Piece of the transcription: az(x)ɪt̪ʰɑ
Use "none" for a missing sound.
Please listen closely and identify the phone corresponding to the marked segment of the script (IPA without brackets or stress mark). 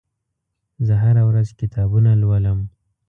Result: k